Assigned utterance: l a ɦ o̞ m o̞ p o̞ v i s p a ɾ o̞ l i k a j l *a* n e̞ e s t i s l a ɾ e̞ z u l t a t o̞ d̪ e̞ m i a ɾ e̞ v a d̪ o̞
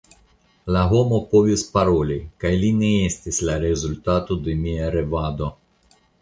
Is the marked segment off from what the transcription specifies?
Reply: yes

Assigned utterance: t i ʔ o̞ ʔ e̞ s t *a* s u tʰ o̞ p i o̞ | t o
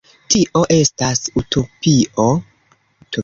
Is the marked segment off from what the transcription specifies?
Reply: no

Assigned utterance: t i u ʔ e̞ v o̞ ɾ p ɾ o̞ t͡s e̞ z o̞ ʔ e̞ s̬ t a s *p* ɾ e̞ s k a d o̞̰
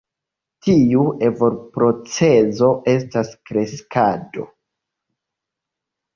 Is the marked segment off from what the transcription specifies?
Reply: yes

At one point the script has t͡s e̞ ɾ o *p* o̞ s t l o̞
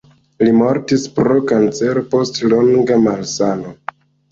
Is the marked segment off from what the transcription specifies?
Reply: no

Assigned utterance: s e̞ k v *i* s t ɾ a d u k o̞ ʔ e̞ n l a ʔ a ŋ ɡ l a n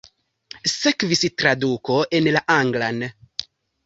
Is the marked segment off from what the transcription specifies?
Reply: no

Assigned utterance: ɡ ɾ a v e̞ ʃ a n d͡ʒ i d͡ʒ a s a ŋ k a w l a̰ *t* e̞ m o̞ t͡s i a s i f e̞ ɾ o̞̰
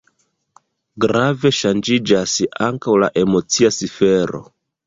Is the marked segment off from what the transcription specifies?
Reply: yes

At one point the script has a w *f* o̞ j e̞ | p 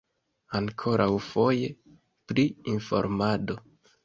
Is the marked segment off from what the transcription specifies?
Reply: no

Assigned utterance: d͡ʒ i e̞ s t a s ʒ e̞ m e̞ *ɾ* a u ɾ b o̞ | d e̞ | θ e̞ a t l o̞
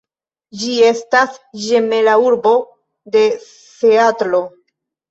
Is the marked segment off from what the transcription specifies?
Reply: yes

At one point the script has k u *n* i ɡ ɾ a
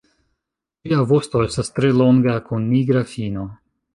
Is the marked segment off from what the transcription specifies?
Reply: yes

